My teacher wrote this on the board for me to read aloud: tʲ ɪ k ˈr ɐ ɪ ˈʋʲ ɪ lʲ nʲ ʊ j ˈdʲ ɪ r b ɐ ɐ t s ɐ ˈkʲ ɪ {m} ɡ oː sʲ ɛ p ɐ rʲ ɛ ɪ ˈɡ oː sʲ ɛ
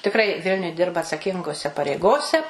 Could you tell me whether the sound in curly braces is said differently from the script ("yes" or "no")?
yes